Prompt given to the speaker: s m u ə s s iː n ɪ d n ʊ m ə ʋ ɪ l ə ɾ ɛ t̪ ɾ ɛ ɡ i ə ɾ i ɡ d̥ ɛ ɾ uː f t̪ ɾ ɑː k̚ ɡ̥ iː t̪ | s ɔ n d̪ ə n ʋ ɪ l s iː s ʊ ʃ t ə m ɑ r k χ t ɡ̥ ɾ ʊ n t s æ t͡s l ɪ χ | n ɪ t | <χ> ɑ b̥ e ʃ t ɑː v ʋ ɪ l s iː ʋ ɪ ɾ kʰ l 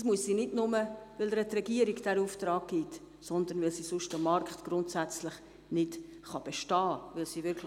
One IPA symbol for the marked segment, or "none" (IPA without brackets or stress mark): χ